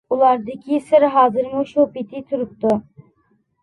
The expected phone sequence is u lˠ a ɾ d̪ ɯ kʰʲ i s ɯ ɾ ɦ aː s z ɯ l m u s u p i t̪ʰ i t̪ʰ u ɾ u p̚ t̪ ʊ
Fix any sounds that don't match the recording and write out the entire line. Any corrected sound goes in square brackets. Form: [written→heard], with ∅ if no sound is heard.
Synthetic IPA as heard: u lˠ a ɾ d̪ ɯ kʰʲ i s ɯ ɾ ɦ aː [s→∅] z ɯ [l→ɾ] m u [s→ʃ] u p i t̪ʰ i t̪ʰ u ɾ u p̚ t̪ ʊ